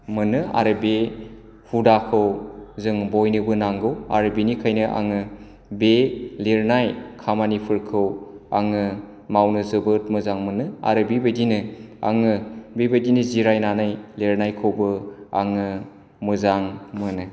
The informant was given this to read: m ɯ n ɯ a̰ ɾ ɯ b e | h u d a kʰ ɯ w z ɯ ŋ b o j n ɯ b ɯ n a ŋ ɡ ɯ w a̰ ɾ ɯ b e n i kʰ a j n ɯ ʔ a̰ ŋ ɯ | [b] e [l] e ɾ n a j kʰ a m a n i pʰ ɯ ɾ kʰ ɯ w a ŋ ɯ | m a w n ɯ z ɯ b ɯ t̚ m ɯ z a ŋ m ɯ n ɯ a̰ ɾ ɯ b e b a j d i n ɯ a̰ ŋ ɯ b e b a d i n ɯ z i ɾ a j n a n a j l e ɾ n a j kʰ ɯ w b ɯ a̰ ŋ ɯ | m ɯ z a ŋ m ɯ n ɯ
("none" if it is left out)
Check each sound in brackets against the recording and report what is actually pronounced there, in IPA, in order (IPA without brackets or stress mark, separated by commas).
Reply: b, l